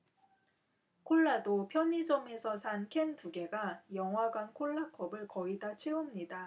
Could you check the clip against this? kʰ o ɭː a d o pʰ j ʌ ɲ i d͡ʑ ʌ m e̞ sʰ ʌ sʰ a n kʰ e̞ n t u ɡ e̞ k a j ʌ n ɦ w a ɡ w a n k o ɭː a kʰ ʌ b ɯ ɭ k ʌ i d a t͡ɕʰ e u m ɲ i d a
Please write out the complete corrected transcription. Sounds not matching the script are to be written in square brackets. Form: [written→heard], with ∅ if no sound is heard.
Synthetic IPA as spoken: kʰ o ɭː a d o pʰ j ʌ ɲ i d͡ʑ ʌ m e̞ sʰ ʌ sʰ a n kʰ e̞ n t u ɡ e̞ [k→ɡ] a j ʌ [n→ŋ] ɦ w a ɡ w a n [k→kʰ] o ɭː a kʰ ʌ b ɯ ɭ k ʌ i d a t͡ɕʰ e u m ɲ i d a